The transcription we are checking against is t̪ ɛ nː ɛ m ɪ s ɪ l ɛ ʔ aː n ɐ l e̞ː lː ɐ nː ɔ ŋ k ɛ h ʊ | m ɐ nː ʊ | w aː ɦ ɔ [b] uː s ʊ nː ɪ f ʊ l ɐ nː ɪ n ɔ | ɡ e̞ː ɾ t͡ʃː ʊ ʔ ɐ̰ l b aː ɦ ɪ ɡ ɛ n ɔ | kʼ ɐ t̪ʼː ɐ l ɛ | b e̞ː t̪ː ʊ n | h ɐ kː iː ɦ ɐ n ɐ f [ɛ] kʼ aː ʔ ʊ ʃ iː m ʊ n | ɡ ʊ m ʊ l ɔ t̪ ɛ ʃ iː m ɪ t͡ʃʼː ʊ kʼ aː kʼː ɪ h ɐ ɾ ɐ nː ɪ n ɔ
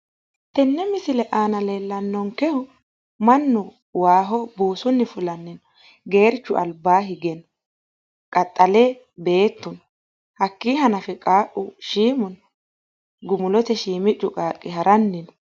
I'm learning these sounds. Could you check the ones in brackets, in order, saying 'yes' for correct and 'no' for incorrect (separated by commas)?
yes, yes